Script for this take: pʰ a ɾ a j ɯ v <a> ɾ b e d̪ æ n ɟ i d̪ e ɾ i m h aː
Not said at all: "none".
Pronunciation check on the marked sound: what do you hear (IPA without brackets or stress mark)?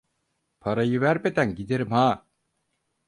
æ